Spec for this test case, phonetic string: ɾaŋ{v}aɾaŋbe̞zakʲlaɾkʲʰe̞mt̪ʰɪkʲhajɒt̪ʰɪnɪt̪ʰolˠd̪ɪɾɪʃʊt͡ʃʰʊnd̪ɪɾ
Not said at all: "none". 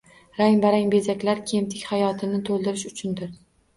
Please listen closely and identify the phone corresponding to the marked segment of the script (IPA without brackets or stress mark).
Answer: b